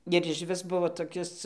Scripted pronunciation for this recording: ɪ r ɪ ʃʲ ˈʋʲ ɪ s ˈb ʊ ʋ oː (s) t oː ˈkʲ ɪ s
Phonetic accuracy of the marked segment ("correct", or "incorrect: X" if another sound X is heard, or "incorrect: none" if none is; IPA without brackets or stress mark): incorrect: none